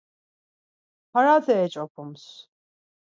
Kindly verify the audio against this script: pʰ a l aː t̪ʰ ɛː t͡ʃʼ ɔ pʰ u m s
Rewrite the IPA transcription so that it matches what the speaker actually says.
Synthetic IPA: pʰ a ɾ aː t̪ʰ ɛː t͡ʃʼ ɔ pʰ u m s

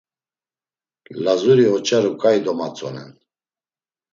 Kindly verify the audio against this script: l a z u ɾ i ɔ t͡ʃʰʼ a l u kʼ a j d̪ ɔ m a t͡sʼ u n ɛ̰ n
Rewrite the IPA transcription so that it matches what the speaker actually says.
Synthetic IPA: l a z u ɾ i ɔ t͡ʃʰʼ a ɾ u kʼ a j d̪ ɔ m a t͡sʼ ɔ n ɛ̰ n

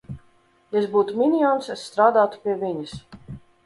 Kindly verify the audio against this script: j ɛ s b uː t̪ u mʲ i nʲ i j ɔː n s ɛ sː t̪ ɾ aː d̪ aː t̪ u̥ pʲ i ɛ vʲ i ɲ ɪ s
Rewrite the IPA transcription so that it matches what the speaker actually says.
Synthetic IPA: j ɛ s b uː t̪ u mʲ i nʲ i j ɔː n s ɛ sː t̪ ɾ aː d̪ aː t̪ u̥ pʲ i ɛ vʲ i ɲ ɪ s

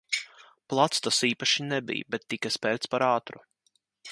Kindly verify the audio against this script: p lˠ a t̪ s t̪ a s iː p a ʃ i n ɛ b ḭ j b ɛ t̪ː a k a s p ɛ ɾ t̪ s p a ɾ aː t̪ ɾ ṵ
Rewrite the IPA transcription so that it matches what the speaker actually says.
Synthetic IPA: p lˠ a t̪ s t̪ a s iː p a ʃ i n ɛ b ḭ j b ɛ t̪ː i k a s p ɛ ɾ t̪ s p a ɾ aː t̪ ɾ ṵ

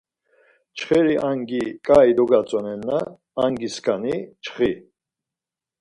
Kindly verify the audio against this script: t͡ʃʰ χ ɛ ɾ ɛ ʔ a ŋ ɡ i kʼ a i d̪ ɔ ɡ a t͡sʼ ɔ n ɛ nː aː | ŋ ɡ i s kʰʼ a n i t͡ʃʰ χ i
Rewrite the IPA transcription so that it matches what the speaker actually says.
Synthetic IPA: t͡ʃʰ χ ɛ ɾ i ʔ a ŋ ɡ i kʼ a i d̪ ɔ ɡ a t͡sʼ ɔ n ɛ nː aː | ŋ ɡ i s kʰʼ a n i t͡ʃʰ χ i

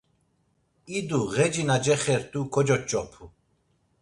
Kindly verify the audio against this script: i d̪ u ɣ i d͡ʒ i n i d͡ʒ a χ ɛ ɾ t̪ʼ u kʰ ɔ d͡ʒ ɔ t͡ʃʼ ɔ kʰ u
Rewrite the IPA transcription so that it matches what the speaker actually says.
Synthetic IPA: i d̪ u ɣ ɛ d͡ʒ i n a d͡ʒ ɛ χ ɛ ɾ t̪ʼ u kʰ ɔ d͡ʒ ɔ t͡ʃʼ ɔ pʰ u

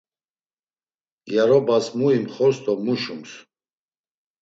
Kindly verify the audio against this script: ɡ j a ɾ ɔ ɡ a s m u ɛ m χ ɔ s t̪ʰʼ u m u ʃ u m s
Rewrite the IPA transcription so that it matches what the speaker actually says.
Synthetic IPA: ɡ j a ɾ ɔ b a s m u i m χ ɔ s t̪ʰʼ ɔ m u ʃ u m s

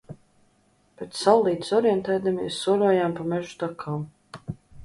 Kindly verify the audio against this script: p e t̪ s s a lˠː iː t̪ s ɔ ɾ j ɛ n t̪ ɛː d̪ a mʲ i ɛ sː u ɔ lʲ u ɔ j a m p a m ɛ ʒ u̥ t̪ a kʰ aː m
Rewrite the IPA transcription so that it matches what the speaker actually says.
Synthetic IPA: p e t̪ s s a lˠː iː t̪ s ɔ ɾ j ɛ n t̪ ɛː d̪ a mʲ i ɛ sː u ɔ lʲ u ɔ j a m p a m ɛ ʒ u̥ t̪ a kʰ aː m

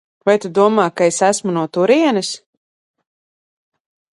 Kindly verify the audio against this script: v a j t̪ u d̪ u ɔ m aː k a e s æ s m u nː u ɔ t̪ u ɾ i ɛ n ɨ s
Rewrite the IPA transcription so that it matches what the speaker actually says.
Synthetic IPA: v a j t̪ u d̪ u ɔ m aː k a e s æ s m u n u ɔ t̪ u ɾ i ɛ n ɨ s

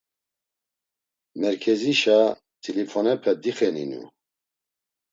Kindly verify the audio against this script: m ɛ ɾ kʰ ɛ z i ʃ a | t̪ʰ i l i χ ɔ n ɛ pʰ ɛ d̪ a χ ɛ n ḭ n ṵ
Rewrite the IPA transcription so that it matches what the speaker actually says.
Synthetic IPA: m ɛ ɾ kʰ ɛ z i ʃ a | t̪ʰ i l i f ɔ n ɛ pʰ ɛ d̪ i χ ɛ n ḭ n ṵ

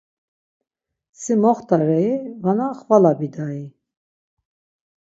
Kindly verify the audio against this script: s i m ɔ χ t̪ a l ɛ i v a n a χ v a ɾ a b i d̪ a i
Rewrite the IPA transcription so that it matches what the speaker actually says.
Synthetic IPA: s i m ɔ χ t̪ a ɾ ɛ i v a n a χ v a l a b i d̪ a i

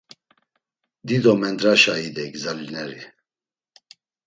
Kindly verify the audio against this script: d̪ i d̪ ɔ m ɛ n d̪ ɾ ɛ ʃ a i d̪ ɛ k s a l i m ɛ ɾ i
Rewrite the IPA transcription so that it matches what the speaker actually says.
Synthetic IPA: d̪ i d̪ ɔ m ɛ n d̪ ɾ a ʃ a i d̪ ɛ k z a l i n ɛ ɾ i

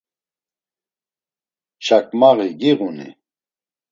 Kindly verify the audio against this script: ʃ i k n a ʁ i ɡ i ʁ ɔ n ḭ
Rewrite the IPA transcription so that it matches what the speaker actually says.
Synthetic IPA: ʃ a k m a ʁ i ɡ i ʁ u n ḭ

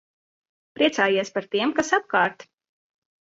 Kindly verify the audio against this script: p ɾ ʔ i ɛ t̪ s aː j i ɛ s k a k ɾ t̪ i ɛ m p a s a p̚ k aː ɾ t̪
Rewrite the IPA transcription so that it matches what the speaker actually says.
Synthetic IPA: p ɾ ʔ i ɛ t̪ s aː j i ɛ s p a ɾ t̪ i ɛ m k a s a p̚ k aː ɾ t̪

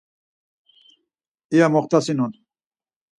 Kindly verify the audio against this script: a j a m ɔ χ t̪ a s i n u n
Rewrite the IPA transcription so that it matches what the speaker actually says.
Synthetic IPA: i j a m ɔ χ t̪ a s i n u n

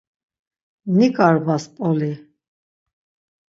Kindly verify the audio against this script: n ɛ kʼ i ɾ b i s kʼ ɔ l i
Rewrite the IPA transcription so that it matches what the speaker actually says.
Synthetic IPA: n i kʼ a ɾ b a s pʼ ɔ l i

